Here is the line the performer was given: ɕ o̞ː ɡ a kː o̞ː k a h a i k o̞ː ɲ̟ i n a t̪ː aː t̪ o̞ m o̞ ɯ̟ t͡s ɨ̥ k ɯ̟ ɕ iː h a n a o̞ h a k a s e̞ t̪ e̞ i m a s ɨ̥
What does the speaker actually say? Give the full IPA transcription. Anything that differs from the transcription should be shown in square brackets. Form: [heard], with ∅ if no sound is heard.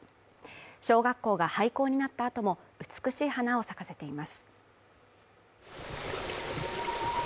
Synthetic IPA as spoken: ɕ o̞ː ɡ a kː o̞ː [ɡ] a h a i k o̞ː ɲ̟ i n a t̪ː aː t̪ o̞ m o̞ ɯ̟ t͡s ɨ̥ k ɯ̟ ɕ iː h a n a o̞ [s] a k a s e̞ t̪ e̞ i m a s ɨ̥